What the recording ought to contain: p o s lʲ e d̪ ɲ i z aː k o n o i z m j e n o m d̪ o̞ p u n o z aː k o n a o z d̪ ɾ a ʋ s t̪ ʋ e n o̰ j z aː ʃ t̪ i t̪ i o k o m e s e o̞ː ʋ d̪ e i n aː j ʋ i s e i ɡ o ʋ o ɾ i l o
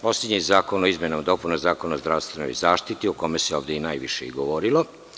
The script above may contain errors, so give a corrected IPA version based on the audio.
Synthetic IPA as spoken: p o s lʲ e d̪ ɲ i z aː k o n o i z m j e n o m d̪ o̞ p u n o z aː k o n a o z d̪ ɾ a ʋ s t̪ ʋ e n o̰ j z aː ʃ t̪ i t̪ i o k o m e s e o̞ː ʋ d̪ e i n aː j ʋ i ʃ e i ɡ o ʋ o ɾ i l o